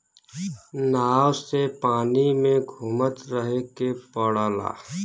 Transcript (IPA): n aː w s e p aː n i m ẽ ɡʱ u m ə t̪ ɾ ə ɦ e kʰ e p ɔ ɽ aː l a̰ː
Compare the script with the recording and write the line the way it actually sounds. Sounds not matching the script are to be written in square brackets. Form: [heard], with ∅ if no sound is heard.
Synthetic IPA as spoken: n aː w s e p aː n i m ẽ ɡʱ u m ə t̪ ɾ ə ɦ e [k] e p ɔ ɽ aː l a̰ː

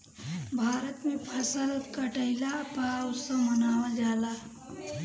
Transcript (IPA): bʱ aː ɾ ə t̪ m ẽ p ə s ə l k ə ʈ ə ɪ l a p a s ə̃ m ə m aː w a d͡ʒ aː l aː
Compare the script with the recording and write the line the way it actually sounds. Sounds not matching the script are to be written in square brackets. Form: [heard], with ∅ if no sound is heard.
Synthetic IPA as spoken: bʱ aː ɾ ə t̪ m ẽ [pʰ] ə s ə l k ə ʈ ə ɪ l a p a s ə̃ m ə [n] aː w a d͡ʒ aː l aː

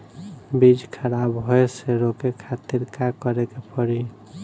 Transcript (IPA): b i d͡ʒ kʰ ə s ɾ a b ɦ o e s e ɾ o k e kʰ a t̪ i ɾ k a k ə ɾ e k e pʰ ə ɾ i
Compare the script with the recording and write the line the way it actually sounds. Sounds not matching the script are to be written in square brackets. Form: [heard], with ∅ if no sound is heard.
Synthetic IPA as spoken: b i d͡ʒ kʰ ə [∅] ɾ a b ɦ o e s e ɾ o k e kʰ a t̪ i ɾ k a k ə ɾ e k e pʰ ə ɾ i

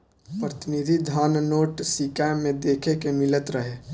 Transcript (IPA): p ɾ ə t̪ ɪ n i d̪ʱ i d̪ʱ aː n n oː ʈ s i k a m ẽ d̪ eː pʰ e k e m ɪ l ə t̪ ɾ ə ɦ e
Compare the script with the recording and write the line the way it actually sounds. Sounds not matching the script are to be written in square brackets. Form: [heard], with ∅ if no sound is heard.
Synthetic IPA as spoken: p ɾ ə t̪ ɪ n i d̪ʱ i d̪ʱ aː n n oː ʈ s i k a m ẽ d̪ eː [kʰ] e k e m ɪ l ə t̪ ɾ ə ɦ e

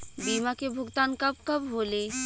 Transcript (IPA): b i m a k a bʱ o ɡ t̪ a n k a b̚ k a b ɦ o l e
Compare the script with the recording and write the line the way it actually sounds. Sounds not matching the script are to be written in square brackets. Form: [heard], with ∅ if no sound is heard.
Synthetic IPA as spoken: b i m a k [e] bʱ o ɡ t̪ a n k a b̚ k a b ɦ o l e

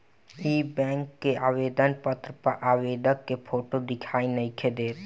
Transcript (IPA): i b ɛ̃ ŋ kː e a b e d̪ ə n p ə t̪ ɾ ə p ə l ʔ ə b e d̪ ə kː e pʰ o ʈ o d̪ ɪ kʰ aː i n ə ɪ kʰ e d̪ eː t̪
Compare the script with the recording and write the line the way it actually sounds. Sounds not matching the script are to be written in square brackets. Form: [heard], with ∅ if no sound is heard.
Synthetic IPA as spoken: i b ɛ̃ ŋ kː e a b e d̪ ə n p ə t̪ ɾ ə p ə [ɾ] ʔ [a] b e d̪ ə kː e pʰ o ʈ o d̪ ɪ kʰ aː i n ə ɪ kʰ e d̪ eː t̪

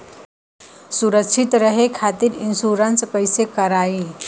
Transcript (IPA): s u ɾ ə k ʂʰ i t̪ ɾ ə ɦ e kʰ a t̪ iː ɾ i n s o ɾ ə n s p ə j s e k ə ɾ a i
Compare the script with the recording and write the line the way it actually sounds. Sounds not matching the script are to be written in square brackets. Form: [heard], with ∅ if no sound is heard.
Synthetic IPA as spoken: s u ɾ ə k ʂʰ i t̪ ɾ ə ɦ e kʰ a t̪ iː ɾ i n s [u] ɾ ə n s p ə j s e k ə ɾ a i

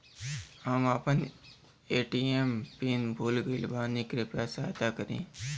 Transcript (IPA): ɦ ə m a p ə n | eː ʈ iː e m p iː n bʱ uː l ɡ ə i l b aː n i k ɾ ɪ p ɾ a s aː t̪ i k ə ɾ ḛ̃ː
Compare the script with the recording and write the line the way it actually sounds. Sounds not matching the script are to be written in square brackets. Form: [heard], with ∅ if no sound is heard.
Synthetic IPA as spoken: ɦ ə m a p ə n | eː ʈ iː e m p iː n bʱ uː l ɡ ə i l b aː n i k ɾ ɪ p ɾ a s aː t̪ [a] k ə ɾ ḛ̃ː

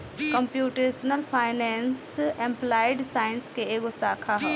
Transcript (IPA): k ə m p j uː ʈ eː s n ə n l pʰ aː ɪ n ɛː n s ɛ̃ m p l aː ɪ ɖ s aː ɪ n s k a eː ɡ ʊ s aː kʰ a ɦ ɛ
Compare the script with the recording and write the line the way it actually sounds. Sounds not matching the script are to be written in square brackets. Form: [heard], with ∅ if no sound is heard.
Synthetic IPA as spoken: k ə m p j uː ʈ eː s n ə [∅] l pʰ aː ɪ n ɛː n s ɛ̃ m p l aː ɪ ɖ s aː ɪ n s k [e] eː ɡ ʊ s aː kʰ a ɦ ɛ

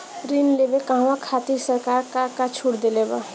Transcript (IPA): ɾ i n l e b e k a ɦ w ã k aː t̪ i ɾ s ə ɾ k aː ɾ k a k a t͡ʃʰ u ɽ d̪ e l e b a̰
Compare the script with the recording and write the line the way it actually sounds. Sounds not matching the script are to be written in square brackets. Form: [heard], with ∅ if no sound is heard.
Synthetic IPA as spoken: ɾ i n l e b e k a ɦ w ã [kʰ] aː t̪ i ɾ s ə ɾ k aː ɾ k a k a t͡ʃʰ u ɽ d̪ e l e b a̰

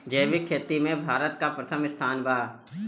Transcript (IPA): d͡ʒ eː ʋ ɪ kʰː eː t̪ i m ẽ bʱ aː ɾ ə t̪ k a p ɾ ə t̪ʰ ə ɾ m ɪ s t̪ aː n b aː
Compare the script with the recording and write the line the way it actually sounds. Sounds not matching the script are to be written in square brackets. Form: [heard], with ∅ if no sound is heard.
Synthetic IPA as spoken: d͡ʒ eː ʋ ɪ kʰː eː t̪ i m ẽ bʱ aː ɾ ə t̪ k a p ɾ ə t̪ʰ ə [∅] m ɪ s [t̪ʰ] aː n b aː

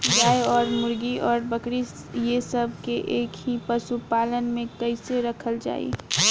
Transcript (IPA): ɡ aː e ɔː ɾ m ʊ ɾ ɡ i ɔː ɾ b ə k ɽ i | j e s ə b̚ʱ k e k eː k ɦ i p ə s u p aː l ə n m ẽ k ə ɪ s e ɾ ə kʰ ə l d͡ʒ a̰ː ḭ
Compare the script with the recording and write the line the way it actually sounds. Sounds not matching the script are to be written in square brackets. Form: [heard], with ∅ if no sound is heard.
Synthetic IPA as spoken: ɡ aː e ɔː ɾ m ʊ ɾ ɡ i ɔː ɾ b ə k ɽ i | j e s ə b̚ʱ k e [ʔ] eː k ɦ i p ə s u p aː l ə n m ẽ k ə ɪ s e ɾ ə kʰ ə l d͡ʒ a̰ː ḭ

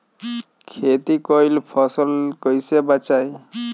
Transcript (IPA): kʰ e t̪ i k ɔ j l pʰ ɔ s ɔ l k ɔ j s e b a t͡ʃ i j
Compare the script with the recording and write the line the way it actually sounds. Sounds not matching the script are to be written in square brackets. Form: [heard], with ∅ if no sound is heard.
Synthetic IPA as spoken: kʰ e t̪ i k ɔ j l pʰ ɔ s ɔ l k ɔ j s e b a t͡ʃ [a] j

